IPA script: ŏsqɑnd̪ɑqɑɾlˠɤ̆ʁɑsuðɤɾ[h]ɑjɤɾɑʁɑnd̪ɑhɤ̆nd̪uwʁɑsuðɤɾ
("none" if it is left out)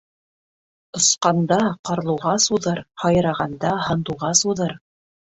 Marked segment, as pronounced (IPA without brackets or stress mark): h